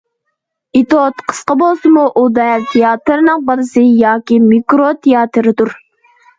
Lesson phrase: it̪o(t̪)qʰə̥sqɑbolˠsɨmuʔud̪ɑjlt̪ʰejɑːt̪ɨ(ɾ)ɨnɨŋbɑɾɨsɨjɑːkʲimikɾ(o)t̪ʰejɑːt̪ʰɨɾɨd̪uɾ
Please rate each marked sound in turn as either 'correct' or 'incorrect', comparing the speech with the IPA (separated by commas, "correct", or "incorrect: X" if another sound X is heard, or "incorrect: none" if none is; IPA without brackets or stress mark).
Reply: correct, correct, correct